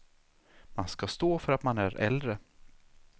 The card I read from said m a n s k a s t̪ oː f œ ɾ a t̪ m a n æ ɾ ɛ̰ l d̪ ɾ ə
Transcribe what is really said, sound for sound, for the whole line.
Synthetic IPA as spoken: m a n s k a s t̪ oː f œ ɾ a t̪ m a n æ ɾ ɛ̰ l d̪ ɾ ə